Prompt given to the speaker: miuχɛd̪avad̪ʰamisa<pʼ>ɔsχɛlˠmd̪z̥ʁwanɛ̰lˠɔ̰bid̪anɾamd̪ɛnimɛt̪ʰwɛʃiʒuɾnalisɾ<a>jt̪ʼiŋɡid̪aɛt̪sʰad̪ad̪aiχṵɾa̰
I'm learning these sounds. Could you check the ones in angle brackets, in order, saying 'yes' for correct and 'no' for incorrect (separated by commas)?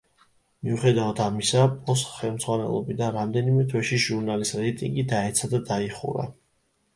yes, no